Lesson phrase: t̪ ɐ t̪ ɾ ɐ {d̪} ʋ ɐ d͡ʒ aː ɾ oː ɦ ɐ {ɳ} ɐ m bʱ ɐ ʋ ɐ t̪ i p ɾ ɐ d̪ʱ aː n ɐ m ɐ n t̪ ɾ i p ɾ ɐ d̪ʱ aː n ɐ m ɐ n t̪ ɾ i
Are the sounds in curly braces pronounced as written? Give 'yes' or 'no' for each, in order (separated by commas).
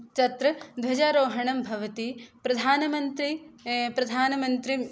yes, yes